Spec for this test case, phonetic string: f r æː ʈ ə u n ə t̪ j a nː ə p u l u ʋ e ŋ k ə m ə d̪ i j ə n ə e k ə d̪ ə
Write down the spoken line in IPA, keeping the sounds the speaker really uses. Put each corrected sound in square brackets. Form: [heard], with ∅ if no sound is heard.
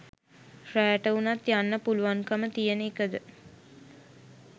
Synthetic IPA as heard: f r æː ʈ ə u n [a] t̪ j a nː ə p u l u ʋ [a] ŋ k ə m ə [t̪] i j ə n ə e k ə d̪ ə